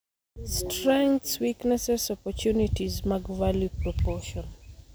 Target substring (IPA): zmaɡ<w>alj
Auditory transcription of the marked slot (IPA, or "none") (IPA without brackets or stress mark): v